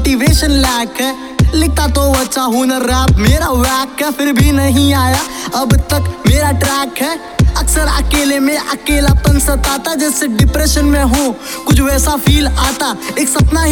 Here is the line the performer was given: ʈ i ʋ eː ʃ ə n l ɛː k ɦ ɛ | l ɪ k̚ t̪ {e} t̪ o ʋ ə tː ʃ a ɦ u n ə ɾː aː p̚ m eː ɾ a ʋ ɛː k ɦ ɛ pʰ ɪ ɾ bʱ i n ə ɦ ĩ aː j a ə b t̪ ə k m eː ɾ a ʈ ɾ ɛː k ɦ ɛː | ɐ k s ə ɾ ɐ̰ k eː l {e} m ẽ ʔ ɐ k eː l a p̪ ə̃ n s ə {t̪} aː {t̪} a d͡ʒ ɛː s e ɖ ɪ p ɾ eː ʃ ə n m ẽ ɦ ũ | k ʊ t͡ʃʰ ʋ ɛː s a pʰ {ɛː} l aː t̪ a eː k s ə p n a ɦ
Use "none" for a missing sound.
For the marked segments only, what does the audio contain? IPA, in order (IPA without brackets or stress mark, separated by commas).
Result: a, e, t̪, t̪, iː